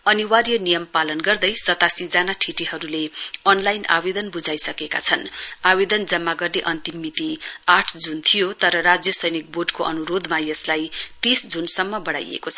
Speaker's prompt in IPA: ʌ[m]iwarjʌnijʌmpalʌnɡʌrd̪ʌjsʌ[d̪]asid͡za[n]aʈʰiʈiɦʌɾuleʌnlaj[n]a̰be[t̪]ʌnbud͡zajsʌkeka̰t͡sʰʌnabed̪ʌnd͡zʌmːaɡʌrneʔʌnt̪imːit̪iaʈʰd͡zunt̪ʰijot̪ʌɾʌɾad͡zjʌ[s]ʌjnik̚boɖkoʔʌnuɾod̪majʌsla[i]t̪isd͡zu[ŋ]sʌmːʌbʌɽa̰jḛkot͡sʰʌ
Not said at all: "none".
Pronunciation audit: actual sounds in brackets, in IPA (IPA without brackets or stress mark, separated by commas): n, t̪, n, n, d̪, s, j, n